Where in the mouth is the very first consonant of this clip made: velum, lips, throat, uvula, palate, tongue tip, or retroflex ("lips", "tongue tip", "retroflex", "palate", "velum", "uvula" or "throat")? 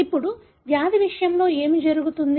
lips